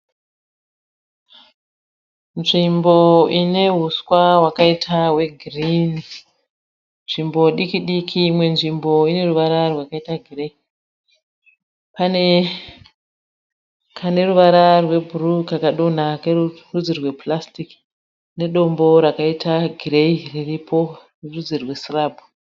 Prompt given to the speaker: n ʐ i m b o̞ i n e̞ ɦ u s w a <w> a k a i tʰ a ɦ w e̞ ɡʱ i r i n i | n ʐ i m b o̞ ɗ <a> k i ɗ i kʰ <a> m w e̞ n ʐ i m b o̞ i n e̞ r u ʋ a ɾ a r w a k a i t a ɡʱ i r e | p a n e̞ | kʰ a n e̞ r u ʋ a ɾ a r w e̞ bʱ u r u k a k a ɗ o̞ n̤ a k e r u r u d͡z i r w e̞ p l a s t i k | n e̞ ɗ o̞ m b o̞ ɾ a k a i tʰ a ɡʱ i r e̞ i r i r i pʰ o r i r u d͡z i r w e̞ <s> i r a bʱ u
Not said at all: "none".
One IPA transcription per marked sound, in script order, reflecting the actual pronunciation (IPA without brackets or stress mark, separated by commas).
w, i, i, s